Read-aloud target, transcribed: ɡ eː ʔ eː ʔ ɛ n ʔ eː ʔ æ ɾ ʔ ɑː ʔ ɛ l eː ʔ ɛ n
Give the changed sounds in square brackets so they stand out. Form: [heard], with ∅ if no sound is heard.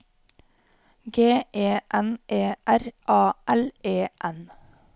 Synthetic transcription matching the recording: ɡ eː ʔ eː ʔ ɛ n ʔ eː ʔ æ ɾ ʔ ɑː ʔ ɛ l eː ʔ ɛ n